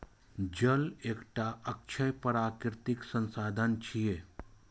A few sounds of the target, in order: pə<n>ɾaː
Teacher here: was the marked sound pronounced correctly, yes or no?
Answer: no